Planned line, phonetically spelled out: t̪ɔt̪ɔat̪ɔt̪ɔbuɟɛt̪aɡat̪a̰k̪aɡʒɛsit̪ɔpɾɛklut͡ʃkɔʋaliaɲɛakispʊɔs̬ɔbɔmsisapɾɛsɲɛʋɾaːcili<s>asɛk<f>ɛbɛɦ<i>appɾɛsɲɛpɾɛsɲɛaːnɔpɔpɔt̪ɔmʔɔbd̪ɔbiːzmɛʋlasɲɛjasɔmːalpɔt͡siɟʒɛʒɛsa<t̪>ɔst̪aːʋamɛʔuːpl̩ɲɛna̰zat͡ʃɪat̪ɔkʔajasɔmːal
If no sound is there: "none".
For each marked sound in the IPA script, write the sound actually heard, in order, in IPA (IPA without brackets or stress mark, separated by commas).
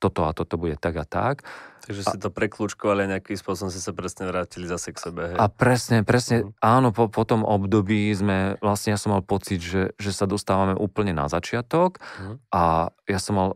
z, s, ɛ, d̪